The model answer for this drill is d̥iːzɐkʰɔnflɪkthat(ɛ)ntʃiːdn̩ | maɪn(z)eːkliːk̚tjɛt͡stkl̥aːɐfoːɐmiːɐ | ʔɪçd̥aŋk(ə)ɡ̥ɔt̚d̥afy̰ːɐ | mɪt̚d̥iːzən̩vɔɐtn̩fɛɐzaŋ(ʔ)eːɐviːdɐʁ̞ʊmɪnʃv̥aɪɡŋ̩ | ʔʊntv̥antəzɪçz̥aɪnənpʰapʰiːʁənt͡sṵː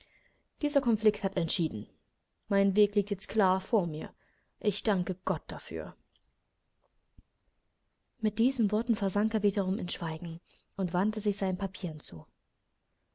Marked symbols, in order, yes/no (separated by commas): yes, no, yes, no